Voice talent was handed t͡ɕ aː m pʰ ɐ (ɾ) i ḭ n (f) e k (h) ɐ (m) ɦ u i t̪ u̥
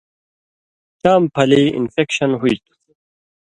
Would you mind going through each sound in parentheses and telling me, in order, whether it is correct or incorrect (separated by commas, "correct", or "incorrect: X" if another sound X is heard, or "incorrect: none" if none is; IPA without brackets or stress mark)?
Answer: incorrect: l, correct, incorrect: ɕ, incorrect: n